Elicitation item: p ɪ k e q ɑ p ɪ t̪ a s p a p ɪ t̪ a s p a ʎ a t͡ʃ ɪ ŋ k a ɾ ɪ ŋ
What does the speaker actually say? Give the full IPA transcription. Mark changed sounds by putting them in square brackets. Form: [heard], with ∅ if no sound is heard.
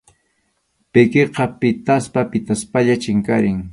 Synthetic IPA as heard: p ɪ k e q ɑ p ɪ t̪ a s p a p ɪ t̪ a s p a ʎ a t͡ʃ ɪ ŋ k a ɾ ɪ ŋ